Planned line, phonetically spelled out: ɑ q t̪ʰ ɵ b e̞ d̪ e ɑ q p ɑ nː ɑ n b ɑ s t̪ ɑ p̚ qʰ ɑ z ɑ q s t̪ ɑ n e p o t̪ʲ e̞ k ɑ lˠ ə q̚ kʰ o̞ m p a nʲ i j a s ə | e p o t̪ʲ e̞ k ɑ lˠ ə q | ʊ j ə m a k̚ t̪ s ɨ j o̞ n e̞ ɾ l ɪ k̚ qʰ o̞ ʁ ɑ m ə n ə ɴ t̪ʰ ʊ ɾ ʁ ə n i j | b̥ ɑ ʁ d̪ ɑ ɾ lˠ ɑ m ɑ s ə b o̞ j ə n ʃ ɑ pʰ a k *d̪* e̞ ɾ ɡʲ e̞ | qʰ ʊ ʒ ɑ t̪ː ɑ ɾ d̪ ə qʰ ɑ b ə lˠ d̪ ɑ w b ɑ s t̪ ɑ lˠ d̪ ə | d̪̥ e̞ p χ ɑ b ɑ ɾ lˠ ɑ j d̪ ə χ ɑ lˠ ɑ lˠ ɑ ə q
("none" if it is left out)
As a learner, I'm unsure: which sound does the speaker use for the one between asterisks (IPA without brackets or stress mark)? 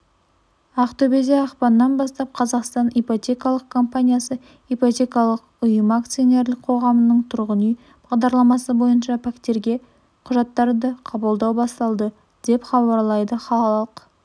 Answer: t̪